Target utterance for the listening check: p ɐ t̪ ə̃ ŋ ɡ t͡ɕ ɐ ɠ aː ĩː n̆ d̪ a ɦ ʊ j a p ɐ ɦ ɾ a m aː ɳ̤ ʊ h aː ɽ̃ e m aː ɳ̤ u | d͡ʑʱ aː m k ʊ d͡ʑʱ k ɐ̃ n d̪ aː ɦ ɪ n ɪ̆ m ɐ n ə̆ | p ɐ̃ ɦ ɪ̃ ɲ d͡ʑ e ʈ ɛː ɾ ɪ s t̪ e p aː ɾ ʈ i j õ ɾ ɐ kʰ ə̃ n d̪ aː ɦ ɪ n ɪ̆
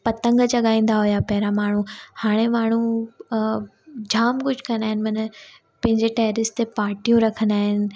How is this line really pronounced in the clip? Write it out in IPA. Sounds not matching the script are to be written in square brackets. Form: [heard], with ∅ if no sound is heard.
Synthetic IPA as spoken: p ɐ t̪ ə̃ ŋ ɡ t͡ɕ ɐ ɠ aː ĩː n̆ d̪ a ɦ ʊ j a p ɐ ɦ ɾ a m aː ɳ̤ [u] h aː ɽ̃ e m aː ɳ̤ u | d͡ʑʱ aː m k ʊ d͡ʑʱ k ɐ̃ n d̪ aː ɦ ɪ n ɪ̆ m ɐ n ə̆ | p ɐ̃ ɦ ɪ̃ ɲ d͡ʑ e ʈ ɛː ɾ ɪ s t̪ e p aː ɾ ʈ i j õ ɾ ɐ kʰ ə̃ n d̪ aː ɦ ɪ n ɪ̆